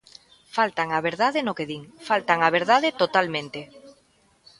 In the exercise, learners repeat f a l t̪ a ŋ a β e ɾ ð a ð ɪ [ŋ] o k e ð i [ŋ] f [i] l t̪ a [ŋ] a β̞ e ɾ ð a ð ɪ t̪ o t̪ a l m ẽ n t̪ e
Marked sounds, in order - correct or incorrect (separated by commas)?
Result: incorrect, correct, incorrect, correct